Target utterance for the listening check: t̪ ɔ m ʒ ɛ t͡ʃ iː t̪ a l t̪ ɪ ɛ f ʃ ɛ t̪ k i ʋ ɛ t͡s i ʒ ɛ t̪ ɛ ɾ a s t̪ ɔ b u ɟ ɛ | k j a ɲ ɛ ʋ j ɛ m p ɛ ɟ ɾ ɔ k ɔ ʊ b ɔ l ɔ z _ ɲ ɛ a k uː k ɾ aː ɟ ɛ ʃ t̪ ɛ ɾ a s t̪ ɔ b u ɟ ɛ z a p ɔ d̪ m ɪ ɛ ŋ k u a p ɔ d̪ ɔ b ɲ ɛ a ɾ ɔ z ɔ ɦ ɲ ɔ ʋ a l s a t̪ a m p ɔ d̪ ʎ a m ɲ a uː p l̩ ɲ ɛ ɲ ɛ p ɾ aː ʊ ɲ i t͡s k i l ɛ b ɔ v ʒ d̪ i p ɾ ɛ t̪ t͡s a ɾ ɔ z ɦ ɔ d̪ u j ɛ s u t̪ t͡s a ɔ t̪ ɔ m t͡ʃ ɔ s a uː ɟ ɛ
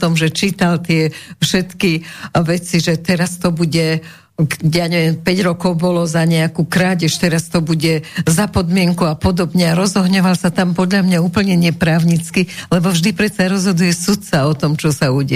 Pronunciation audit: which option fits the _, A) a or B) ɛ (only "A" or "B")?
A